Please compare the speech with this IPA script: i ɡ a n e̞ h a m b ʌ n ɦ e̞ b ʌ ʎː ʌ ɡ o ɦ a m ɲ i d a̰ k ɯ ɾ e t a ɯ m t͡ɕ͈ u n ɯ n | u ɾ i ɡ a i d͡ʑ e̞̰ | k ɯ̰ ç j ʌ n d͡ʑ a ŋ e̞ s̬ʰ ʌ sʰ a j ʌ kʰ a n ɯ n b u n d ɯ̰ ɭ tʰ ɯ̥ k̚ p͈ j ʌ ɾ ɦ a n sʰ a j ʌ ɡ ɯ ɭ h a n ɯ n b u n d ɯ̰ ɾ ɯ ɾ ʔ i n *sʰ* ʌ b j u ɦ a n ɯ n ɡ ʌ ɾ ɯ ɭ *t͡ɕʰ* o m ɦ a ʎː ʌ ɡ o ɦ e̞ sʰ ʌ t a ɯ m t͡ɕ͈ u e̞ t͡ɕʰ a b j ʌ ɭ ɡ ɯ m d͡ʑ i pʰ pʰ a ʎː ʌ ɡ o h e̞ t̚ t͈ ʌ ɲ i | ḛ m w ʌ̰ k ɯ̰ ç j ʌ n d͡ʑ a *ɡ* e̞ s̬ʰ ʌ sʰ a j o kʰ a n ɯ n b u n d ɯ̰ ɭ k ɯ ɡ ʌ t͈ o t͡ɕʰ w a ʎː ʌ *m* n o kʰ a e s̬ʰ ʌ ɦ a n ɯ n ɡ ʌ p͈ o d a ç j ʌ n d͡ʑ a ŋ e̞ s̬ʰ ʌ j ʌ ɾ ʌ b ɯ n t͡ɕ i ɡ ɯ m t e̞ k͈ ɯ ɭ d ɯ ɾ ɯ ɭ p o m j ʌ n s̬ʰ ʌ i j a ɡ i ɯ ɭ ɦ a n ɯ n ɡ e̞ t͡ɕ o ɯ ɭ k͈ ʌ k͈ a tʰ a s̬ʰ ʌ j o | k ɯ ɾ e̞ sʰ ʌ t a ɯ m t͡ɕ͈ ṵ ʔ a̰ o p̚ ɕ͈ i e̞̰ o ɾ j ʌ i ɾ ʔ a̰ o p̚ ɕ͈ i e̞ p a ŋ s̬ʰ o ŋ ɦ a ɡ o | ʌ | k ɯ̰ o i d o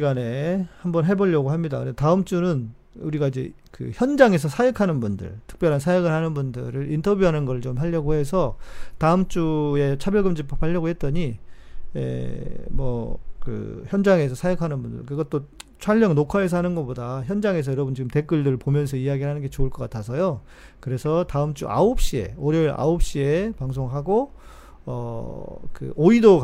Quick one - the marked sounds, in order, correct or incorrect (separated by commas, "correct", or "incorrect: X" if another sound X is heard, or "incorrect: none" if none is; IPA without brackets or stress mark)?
incorrect: tʰ, incorrect: t͡ɕ, incorrect: ŋ, incorrect: ŋ